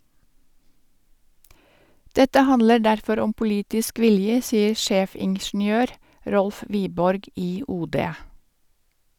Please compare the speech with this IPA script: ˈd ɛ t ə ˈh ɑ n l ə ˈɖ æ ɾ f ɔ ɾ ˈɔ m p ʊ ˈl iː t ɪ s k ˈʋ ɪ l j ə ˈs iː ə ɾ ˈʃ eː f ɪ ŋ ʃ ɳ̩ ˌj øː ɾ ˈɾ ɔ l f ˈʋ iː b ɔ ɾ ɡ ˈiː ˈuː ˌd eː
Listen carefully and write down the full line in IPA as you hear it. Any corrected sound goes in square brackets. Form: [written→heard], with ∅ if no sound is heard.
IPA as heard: ˈd ɛ t ə ˈh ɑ n l ə ˈɖ æ ɾ f ɔ ɾ ˈɔ m p ʊ ˈl iː t ɪ s k ˈʋ ɪ l j ə ˈs iː ə ɾ ˈʃ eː f ɪ ŋ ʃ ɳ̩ ˌj øː ɾ ˈɾ ɔ l f ˈʋ iː b ɔ ɾ ɡ ˈiː ˈuː ˌd eː